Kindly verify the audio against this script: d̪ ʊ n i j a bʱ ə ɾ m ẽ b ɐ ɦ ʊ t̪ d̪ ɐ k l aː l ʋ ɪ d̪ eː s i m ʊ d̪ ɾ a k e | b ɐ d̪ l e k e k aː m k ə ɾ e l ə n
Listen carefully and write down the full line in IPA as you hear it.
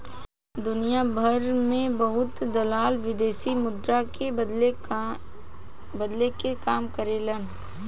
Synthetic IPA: d̪ ʊ n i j a bʱ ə ɾ m ẽ b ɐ ɦ ʊ t̪ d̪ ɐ l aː l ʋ ɪ d̪ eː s i m ʊ d̪ ɾ a k e | b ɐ d̪ l e k e k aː m k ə ɾ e l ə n